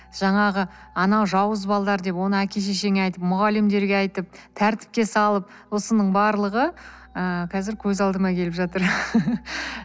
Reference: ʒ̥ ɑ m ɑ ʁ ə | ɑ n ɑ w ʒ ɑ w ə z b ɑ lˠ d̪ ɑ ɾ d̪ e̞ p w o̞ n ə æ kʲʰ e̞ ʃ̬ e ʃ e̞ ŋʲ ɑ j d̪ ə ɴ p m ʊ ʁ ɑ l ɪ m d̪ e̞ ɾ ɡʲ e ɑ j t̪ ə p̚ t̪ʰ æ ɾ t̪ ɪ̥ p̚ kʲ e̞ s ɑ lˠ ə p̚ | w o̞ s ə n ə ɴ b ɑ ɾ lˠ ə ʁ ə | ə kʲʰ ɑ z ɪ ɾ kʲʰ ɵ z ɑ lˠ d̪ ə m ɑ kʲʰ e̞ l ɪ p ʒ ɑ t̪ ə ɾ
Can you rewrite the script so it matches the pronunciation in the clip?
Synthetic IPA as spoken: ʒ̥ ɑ ɴ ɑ ʁ ə | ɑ n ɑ w ʒ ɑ w ə z b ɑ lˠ d̪ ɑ ɾ d̪ e̞ p w o̞ n ə æ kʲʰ e̞ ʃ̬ e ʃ e̞ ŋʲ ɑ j t̪ ə p m ʊ ʁ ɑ l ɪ m d̪ e̞ ɾ ɡʲ e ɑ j t̪ ə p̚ t̪ʰ æ ɾ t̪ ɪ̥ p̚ kʲ e̞ s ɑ lˠ ə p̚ | w o̞ s ə n ə ɴ b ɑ ɾ lˠ ə ʁ ə | ə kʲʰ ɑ z ɪ ɾ kʲʰ ɵ z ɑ lˠ d̪ ə m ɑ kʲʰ e̞ l ɪ p ʒ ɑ t̪ ə ɾ